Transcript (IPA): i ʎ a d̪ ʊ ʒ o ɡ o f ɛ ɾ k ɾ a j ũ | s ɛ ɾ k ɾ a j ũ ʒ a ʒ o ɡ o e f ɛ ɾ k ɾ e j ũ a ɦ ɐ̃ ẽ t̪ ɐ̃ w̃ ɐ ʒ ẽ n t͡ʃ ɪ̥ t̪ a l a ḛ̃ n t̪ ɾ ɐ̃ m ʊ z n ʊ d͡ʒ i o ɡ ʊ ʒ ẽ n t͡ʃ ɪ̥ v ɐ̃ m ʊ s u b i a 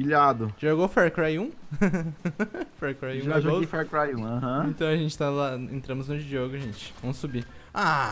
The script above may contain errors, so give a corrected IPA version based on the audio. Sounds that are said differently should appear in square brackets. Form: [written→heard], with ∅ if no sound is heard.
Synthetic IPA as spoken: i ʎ a d̪ ʊ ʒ o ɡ o f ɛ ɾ k ɾ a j ũ | [s→f] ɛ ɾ k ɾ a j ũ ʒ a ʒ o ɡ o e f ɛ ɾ k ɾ [e→a] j ũ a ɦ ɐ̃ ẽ t̪ ɐ̃ w̃ ɐ ʒ ẽ n t͡ʃ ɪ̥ t̪ a l a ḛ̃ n t̪ ɾ ɐ̃ m ʊ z n ʊ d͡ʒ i o ɡ ʊ ʒ ẽ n t͡ʃ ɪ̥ v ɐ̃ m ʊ s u b i a